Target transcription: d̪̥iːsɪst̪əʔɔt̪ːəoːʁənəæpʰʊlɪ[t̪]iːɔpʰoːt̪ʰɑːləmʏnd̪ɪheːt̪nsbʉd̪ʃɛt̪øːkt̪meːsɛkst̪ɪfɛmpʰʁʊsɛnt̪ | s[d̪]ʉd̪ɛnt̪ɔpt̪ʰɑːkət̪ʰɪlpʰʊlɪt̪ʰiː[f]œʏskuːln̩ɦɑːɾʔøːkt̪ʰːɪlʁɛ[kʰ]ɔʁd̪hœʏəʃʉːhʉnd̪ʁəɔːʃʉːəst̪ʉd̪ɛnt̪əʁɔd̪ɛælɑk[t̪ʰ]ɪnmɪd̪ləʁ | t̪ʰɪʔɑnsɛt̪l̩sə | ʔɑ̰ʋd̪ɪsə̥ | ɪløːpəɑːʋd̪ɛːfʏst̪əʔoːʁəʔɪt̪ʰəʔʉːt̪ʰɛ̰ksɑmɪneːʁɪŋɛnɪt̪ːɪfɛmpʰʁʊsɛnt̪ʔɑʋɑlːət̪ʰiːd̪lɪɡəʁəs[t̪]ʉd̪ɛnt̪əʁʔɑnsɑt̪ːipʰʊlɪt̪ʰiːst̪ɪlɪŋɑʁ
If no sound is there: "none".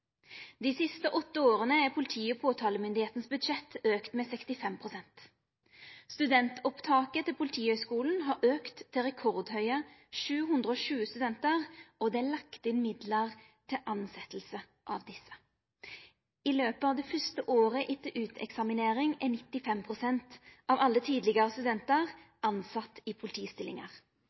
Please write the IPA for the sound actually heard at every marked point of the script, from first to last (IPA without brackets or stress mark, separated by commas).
t̪ʰ, t̪, h, kʰ, t̪, t̪